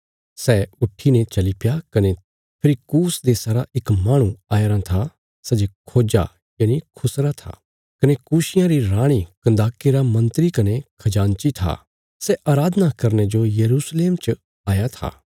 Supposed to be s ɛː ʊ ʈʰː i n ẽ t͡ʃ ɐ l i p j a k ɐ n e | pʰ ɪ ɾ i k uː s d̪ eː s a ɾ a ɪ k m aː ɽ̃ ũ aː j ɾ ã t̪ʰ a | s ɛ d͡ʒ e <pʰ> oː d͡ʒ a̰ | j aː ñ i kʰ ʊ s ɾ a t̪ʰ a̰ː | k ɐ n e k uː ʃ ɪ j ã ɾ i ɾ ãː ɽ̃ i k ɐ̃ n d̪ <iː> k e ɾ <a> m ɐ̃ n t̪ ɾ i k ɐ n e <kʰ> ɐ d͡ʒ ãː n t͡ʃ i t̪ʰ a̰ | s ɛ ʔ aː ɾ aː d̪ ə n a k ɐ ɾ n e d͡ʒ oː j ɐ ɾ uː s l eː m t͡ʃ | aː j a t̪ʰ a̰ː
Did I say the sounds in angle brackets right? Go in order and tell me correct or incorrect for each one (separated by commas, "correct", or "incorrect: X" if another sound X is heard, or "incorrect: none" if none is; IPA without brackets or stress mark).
incorrect: kʰ, incorrect: aː, correct, correct